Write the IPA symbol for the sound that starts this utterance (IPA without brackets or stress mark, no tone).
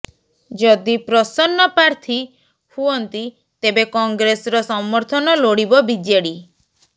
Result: d͡ʒ